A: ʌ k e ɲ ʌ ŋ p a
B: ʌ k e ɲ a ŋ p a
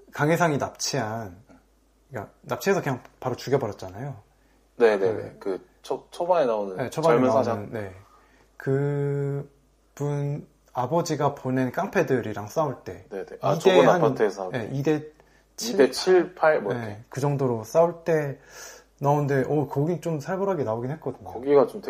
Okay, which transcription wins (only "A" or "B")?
B